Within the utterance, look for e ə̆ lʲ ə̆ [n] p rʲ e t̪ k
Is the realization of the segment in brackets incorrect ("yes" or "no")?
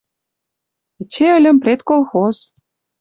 yes